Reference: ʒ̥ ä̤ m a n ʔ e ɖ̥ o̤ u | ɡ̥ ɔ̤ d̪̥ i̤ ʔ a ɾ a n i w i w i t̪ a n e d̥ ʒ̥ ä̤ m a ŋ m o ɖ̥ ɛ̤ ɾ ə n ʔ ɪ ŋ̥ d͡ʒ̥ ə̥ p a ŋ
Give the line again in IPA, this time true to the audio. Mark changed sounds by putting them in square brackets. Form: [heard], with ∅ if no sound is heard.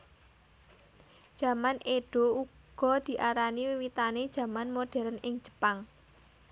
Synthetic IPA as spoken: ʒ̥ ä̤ m a n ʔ e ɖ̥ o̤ u | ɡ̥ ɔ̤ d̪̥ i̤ ʔ a ɾ a n i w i w i t̪ a n e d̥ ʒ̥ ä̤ m a [n] m o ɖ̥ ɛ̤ ɾ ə n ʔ ɪ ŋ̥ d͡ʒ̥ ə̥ p a ŋ